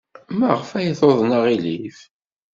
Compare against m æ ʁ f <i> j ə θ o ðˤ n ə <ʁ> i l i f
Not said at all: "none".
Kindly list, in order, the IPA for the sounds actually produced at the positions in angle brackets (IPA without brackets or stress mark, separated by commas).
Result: æ, ʁ